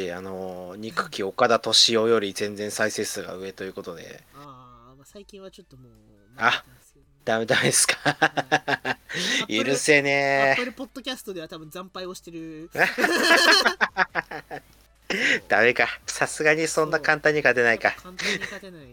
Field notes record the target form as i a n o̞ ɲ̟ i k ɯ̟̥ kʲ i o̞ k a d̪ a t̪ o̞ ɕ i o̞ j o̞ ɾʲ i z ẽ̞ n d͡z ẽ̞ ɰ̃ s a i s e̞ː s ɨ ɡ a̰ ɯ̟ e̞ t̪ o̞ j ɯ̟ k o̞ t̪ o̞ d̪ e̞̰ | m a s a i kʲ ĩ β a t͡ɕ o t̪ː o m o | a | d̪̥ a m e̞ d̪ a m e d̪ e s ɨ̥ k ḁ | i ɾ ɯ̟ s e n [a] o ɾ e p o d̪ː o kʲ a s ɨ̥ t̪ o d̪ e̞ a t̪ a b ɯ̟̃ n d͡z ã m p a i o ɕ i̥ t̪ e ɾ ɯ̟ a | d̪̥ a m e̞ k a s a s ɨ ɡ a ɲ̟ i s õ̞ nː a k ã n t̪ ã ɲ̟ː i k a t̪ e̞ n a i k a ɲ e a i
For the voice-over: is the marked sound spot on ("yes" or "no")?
no